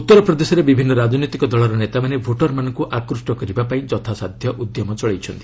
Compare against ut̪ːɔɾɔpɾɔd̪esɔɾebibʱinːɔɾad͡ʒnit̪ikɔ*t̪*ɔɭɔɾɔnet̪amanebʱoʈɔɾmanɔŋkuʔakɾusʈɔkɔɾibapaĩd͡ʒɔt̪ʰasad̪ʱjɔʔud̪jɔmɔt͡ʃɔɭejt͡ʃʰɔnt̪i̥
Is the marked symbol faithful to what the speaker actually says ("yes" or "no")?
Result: no